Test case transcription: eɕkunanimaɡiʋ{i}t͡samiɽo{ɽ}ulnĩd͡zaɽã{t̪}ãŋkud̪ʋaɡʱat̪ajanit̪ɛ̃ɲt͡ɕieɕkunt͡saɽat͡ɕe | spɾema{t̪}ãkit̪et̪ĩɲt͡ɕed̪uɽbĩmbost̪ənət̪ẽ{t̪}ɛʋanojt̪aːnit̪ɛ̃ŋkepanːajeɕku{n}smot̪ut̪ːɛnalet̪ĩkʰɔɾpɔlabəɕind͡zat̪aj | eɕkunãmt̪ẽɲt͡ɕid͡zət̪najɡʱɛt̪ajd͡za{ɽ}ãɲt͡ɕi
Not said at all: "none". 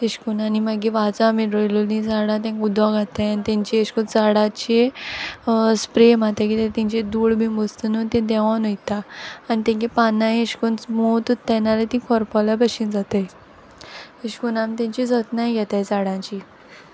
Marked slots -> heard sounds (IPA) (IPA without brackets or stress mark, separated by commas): a, l, t̪, t̪, d̪, n, ɽ